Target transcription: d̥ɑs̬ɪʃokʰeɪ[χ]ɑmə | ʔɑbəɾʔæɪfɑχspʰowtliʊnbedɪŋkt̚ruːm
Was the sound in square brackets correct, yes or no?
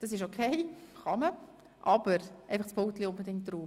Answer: yes